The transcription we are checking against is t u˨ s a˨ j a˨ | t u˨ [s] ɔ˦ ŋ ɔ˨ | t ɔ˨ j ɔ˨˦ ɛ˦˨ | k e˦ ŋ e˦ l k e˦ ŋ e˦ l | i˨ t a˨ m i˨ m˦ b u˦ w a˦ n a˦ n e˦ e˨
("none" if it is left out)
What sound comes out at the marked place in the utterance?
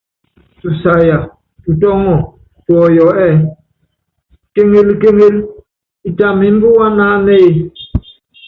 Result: t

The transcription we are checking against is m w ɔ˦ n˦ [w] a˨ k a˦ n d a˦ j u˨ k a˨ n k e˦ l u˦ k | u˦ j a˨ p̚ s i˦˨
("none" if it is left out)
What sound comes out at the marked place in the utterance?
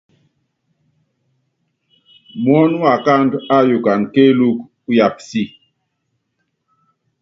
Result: w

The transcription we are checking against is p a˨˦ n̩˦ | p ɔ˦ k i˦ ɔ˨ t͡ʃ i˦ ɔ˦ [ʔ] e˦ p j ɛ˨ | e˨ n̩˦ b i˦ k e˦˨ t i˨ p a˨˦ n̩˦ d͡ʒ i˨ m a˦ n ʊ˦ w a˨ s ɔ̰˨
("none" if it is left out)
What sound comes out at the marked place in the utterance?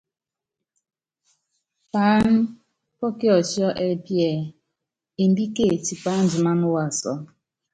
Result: ʔ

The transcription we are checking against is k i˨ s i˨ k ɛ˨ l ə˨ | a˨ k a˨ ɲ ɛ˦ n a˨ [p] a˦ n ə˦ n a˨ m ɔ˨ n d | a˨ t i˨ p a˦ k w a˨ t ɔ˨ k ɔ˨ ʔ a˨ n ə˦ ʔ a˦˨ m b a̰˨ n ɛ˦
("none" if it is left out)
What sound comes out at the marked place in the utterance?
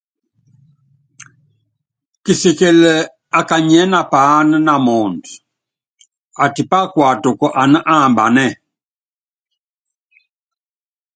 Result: p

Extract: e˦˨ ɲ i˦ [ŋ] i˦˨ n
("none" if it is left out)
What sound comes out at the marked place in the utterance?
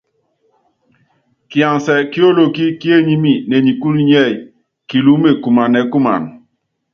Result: m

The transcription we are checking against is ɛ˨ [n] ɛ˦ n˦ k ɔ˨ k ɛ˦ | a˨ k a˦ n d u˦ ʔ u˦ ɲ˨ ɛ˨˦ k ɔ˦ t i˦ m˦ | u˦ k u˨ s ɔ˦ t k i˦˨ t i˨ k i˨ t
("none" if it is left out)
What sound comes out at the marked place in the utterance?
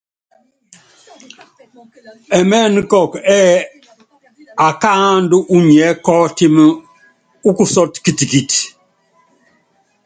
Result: m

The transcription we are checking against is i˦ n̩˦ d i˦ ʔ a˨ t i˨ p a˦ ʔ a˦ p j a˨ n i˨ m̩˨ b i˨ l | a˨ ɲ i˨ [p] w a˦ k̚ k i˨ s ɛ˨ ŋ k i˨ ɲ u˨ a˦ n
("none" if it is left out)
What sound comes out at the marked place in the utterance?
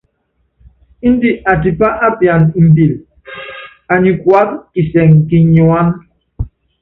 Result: k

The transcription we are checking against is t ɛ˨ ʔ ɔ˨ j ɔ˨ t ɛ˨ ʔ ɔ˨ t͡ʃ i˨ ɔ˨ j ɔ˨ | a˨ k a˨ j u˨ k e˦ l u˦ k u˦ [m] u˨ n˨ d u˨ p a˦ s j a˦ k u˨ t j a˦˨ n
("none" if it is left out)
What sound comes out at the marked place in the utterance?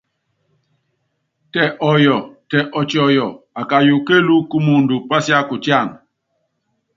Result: m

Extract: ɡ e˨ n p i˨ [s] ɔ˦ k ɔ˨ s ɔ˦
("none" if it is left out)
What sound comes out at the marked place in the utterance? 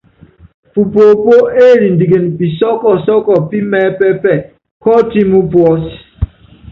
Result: s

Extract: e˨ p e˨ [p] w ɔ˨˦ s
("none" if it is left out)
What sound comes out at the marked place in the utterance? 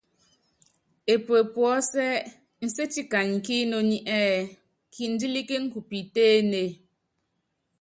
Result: p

